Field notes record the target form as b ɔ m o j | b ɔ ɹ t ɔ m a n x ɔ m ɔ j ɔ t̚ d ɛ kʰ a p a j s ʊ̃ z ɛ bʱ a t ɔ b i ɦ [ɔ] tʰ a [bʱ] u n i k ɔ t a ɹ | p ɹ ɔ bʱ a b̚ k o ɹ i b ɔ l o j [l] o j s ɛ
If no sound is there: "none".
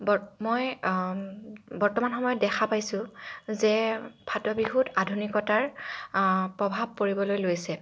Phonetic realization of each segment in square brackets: u, dʱ, l

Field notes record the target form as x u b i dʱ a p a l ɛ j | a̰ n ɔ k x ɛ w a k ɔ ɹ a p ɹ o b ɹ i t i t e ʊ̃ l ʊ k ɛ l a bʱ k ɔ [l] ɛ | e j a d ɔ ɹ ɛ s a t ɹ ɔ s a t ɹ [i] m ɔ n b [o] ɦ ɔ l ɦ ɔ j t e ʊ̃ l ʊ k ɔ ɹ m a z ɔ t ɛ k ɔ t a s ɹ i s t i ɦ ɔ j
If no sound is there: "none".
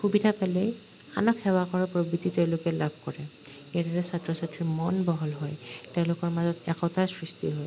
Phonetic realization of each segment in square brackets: ɹ, i, ɔ

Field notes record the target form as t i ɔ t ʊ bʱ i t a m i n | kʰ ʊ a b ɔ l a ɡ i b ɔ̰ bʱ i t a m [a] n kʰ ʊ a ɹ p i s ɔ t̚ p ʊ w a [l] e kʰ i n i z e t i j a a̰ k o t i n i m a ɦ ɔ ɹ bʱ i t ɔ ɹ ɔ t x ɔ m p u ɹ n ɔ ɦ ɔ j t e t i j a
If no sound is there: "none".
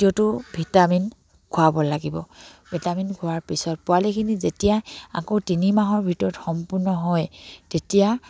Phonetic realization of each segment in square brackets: i, l

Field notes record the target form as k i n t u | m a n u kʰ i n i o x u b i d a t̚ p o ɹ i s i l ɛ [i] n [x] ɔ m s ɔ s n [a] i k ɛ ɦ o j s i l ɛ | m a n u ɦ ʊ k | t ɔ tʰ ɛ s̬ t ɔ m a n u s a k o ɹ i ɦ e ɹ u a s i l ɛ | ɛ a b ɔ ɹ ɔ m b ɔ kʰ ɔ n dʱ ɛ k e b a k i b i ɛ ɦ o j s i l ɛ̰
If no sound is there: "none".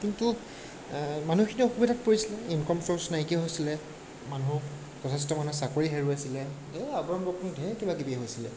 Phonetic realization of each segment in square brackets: i, k, a

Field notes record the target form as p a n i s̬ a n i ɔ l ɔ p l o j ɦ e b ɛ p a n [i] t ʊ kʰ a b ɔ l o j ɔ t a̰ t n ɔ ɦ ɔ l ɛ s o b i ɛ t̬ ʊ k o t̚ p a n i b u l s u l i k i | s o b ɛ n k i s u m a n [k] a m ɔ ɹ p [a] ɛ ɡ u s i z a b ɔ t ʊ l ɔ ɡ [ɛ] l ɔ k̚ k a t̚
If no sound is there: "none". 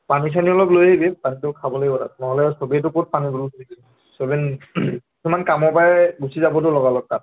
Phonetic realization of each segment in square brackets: i, k, a, a

